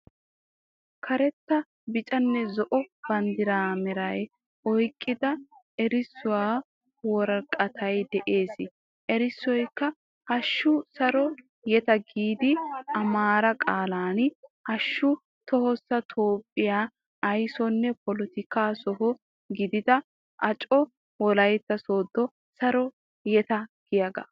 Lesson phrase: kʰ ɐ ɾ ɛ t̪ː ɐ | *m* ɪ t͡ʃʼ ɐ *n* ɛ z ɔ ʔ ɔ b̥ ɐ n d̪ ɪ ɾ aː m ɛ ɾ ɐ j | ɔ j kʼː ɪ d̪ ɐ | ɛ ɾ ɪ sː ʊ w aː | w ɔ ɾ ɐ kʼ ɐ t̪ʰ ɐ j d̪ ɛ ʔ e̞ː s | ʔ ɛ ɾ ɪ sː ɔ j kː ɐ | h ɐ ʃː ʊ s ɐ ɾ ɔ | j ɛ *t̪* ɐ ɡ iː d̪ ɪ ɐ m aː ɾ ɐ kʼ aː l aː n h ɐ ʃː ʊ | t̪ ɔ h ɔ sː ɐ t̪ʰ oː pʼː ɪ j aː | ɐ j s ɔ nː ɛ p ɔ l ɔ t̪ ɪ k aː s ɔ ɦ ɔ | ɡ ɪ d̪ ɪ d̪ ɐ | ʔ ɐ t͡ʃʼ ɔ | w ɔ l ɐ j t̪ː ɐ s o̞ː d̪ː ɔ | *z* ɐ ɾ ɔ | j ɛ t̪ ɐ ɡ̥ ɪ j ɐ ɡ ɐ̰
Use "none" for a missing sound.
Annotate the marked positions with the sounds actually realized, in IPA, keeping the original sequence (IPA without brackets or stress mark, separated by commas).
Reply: b, nː, t̪, s